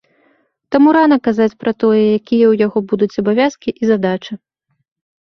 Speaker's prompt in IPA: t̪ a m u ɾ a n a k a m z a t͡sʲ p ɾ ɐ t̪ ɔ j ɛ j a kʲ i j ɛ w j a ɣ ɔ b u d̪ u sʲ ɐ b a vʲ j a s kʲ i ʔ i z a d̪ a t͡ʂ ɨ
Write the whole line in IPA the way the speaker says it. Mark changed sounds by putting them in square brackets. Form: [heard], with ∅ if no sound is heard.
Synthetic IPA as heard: t̪ a m u ɾ a n [ɐ] k a [∅] z a t͡sʲ p ɾ ɐ t̪ ɔ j ɛ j a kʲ i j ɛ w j a ɣ ɔ b u d̪ u [t͡sʲ] ɐ b a vʲ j a s kʲ i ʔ i z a d̪ a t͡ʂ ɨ